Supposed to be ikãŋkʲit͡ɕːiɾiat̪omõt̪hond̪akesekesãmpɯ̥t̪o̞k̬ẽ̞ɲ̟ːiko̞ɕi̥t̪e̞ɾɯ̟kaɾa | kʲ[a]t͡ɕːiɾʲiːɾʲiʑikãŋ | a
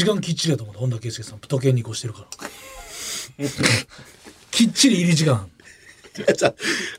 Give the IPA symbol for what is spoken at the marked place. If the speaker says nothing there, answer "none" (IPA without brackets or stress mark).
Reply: i